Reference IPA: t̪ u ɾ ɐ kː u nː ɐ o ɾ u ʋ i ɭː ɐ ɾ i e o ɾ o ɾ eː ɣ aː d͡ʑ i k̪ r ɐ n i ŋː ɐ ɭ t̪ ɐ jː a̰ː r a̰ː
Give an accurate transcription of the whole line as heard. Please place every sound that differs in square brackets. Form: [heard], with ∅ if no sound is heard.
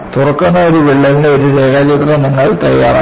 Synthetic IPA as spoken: t̪ u [r] ɐ kː u nː ɐ o ɾ u ʋ i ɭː ɐ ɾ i e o ɾ [u] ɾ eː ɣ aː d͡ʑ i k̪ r ɐ n i ŋː ɐ ɭ t̪ ɐ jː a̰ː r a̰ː